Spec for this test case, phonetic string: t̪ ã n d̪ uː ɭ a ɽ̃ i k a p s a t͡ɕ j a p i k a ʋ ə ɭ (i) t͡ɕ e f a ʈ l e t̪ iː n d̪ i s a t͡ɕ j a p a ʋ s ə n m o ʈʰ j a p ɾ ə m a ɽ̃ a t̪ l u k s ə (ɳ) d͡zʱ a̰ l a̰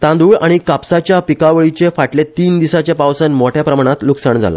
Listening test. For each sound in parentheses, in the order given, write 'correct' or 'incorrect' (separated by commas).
correct, correct